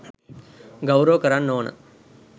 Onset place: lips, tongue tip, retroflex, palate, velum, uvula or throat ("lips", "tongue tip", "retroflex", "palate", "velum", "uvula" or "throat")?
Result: velum